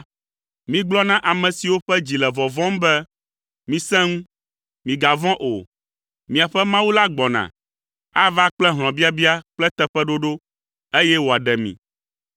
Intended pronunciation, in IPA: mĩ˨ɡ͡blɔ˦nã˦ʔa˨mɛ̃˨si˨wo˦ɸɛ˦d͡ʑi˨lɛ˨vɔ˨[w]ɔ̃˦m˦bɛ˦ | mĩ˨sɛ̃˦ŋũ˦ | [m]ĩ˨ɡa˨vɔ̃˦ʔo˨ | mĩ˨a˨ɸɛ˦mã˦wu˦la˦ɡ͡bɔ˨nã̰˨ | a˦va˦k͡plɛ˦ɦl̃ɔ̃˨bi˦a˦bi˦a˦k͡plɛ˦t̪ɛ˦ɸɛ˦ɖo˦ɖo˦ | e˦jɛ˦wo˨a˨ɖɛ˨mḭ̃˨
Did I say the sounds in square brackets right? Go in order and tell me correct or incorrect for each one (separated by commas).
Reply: incorrect, correct